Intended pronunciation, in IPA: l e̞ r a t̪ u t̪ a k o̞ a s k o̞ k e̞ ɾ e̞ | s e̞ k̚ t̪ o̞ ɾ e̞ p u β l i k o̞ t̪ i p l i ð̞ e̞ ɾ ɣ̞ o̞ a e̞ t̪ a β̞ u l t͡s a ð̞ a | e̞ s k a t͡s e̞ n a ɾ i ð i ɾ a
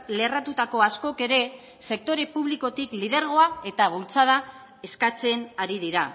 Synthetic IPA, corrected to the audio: l e̞ r a t̪ u t̪ a k o̞ a s k o̞ k e̞ ɾ e̞ | s e̞ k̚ t̪ o̞ ɾ e̞ p u β l i k o̞ t̪ i k l i ð̞ e̞ ɾ ɣ̞ o̞ a e̞ t̪ a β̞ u l t͡s a ð̞ a | e̞ s k a t͡s e̞ n a ɾ i ð i ɾ a